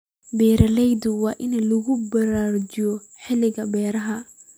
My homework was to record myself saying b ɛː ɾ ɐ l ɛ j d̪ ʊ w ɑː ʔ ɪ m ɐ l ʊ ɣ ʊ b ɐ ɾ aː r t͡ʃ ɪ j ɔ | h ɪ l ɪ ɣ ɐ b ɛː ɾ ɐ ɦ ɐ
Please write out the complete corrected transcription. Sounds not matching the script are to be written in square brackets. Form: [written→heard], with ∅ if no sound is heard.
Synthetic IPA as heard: b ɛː ɾ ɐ l ɛ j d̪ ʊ w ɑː ʔ ɪ [m→n] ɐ l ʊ ɣ ʊ b ɐ ɾ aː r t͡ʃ ɪ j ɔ | [h→ħ] ɪ l ɪ ɣ ɐ b ɛː ɾ ɐ ɦ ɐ